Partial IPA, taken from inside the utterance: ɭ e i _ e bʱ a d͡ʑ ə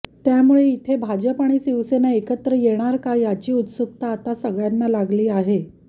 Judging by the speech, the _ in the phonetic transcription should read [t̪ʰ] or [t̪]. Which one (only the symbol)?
t̪ʰ